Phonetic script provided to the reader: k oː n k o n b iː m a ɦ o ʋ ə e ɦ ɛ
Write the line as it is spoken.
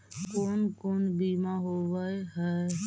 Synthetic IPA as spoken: k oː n k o n b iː m a ɦ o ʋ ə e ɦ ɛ